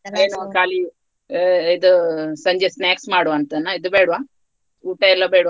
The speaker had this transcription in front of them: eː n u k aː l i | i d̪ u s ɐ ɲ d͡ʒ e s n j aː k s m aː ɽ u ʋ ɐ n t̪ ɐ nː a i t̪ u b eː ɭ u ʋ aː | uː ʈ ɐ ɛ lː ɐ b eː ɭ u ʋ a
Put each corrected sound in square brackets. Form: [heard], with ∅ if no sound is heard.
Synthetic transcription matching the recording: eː n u k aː l i | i d̪ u s ɐ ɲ d͡ʒ e s n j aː k s m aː ɽ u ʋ ɐ n t̪ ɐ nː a i [d̪] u b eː [ɽ] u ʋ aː | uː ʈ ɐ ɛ lː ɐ b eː [ɽ] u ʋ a